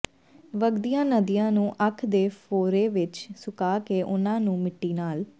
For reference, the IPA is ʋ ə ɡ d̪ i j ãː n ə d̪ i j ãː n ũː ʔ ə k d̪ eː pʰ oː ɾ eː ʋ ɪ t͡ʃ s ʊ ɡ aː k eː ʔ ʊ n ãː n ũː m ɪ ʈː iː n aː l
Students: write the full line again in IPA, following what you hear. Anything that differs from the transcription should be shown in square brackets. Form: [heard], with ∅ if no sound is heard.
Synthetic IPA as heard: ʋ ə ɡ d̪ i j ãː n ə d̪ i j ãː n ũː ʔ ə [kʰ] d̪ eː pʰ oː ɾ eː ʋ ɪ t͡ʃ s ʊ [k] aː k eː ʔ ʊ n ãː n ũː m ɪ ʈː iː n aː l